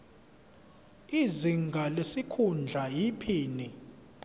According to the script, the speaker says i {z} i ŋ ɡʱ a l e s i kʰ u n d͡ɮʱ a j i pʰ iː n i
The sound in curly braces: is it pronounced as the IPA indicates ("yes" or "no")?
yes